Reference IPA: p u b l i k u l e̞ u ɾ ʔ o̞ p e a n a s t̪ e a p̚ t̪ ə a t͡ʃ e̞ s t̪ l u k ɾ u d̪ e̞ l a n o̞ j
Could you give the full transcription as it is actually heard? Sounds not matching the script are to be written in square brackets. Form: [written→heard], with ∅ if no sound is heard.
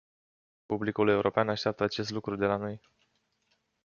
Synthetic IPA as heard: p u b l i k u l e̞ u ɾ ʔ o̞ p e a n a [s→ʃ] t̪ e a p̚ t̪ ə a t͡ʃ e̞ s t̪ l u k ɾ u d̪ e̞ l a n o̞ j